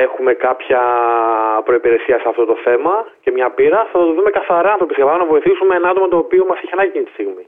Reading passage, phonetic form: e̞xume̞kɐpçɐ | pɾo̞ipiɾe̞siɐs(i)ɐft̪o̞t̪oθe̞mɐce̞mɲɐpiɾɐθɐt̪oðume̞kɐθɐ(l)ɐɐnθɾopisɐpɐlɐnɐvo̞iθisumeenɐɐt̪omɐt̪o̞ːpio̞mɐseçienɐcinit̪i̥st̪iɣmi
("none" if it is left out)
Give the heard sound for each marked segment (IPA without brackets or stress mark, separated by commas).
e, ɾ